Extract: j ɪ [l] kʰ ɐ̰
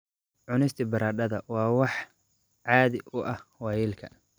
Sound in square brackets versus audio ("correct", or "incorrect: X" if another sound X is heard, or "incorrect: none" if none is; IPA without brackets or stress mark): correct